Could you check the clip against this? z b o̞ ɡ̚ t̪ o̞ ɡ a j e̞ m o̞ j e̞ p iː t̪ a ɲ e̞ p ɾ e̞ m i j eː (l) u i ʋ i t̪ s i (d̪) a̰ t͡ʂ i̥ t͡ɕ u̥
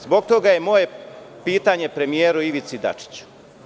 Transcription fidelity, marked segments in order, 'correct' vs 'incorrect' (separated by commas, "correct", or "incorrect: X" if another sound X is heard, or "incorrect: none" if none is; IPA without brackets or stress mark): incorrect: ɾ, correct